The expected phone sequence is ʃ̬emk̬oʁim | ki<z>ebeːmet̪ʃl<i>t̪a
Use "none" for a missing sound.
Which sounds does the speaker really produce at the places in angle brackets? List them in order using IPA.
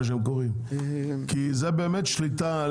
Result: z, i

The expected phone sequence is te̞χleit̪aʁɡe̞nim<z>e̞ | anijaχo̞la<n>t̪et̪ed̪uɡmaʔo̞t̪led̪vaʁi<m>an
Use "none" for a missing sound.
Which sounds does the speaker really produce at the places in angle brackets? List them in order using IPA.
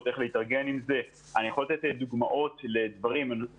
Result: z, none, m

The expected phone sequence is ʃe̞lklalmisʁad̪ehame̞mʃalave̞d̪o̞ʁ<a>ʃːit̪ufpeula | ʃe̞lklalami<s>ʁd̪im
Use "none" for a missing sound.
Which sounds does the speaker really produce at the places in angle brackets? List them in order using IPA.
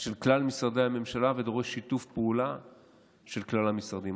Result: e, s

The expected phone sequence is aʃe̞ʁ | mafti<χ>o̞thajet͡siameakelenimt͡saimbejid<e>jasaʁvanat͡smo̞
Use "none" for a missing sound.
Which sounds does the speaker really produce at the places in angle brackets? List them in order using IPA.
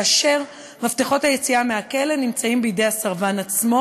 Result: χ, e

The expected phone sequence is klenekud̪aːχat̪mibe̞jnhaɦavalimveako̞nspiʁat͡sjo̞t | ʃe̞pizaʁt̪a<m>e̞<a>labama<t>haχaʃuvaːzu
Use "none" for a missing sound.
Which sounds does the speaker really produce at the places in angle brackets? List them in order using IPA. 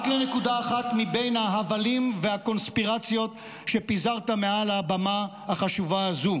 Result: m, a, none

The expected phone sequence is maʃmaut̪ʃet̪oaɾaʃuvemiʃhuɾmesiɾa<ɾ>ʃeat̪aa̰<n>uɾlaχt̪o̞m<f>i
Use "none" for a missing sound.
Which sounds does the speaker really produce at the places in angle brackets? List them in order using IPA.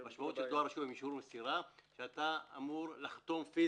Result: none, m, f

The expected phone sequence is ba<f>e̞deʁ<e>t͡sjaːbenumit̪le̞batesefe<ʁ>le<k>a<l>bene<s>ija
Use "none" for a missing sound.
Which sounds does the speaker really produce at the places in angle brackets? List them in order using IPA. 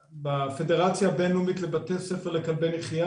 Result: f, a, ʁ, k, l, χ

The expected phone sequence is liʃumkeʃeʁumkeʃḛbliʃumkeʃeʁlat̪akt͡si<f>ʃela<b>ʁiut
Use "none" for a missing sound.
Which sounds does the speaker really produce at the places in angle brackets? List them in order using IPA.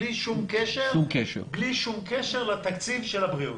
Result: v, b

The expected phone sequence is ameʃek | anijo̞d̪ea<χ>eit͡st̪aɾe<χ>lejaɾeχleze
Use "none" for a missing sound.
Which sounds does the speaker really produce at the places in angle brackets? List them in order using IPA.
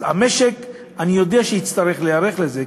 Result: ʃ, χ

